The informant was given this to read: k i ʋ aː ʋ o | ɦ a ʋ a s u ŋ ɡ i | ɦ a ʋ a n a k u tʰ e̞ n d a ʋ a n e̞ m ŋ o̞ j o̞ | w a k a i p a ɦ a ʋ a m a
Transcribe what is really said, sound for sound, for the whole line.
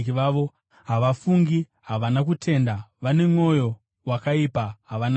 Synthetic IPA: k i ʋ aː ʋ o | ɦ a ʋ a f u ŋ ɡ i | ɦ a ʋ a n a k u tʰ e̞ n d a ʋ a n e̞ m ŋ o̞ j o̞ | w a k a i p a ɦ a ʋ a n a